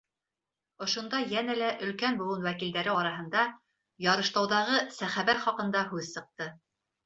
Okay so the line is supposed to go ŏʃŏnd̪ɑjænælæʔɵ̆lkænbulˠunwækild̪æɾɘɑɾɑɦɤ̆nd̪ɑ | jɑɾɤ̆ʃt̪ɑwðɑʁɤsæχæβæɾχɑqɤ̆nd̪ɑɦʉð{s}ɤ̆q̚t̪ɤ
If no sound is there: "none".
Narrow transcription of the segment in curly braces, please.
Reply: s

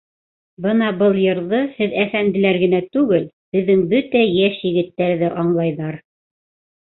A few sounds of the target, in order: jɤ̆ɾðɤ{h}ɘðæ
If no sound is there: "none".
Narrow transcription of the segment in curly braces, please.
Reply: h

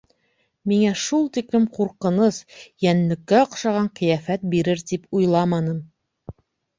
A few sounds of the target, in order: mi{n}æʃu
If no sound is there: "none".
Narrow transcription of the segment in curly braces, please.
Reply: ŋ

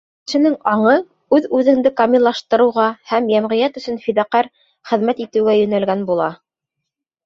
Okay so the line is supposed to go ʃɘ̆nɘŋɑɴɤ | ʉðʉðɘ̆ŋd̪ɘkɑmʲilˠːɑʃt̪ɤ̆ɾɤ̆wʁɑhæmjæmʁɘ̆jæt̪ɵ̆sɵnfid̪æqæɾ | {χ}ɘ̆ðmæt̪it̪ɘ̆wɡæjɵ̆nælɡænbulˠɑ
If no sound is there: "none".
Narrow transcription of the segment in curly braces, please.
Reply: χ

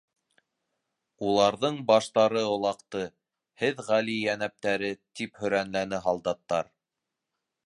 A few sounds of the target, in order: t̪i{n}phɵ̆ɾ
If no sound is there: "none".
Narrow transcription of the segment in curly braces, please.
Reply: none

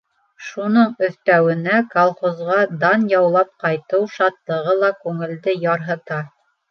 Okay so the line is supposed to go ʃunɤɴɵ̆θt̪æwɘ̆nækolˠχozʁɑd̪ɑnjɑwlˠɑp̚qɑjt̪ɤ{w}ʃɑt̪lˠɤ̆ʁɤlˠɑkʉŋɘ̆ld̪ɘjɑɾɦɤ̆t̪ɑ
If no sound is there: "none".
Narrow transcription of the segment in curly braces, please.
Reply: w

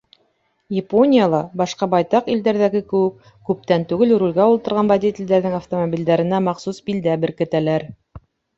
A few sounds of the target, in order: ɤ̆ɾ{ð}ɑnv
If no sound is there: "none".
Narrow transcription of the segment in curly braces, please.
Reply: ʁ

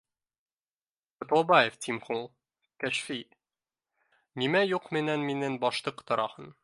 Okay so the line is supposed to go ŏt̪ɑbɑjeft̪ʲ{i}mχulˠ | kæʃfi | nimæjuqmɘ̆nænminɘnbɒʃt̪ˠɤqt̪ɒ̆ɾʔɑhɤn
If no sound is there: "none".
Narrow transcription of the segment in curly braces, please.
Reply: i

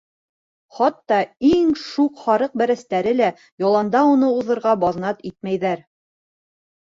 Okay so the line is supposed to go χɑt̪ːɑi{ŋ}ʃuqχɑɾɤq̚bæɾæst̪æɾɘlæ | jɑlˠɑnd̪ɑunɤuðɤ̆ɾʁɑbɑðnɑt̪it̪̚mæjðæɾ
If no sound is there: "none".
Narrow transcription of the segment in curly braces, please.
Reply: ŋ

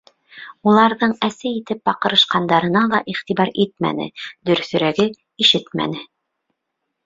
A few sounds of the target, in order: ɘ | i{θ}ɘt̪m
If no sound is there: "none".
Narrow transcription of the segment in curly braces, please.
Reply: ʃ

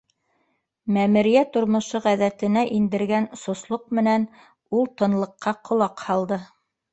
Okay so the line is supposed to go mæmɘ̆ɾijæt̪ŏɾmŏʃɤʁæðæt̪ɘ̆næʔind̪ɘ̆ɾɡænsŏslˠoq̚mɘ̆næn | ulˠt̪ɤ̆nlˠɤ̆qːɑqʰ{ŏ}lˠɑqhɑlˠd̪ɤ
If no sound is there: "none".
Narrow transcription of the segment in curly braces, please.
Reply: ŏ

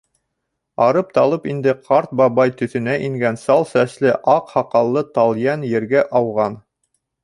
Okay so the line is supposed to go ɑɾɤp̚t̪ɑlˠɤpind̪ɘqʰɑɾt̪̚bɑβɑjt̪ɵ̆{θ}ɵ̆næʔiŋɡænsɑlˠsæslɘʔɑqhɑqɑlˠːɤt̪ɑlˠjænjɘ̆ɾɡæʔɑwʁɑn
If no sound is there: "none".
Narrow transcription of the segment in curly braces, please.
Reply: θ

